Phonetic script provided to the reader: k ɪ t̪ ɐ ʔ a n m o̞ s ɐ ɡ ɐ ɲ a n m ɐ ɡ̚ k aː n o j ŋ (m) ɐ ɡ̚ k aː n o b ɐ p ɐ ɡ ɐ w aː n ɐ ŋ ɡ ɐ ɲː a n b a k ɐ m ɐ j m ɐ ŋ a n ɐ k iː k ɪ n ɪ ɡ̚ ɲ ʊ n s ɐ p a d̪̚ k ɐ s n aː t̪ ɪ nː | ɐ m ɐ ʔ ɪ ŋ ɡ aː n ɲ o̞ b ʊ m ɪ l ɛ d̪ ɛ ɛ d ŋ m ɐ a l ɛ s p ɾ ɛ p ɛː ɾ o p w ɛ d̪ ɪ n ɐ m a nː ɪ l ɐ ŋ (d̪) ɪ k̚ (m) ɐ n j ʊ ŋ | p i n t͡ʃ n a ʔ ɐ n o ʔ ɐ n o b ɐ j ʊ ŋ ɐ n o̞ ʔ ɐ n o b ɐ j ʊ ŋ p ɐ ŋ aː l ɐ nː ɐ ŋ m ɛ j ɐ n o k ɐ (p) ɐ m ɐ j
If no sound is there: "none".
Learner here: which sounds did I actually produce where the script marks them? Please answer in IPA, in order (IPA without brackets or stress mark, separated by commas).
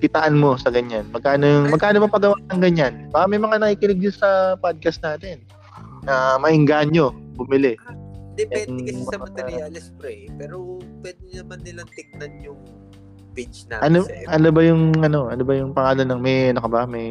m, t̪, n, b